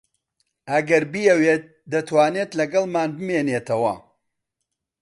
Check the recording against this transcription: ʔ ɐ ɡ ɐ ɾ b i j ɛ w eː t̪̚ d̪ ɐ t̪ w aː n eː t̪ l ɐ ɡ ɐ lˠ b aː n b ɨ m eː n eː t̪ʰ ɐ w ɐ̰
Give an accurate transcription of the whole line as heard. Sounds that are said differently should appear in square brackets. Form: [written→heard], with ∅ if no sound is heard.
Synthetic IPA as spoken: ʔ ɐ ɡ ɐ ɾ b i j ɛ w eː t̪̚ d̪ ɐ t̪ w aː n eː t̪ l ɐ ɡ ɐ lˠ [b→m] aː n b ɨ m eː n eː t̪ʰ ɐ w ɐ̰